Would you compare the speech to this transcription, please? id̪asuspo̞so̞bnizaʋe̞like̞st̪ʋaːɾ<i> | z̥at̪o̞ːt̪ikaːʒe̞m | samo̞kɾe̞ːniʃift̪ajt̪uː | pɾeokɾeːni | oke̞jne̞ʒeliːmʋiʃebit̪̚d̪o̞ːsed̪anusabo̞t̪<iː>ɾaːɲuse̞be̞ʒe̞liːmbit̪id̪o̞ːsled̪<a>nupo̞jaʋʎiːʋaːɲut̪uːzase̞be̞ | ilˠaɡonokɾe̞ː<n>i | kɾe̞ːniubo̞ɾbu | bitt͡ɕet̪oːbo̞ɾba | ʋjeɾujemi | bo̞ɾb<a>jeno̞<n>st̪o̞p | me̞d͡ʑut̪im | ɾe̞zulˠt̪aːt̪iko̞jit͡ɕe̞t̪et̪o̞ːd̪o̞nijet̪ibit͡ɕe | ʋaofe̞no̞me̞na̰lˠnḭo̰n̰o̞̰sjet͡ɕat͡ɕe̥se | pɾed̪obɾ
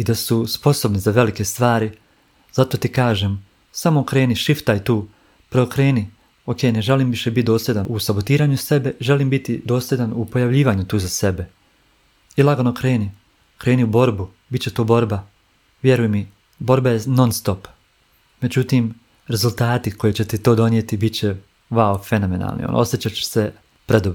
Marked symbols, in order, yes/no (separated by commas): yes, yes, yes, yes, yes, yes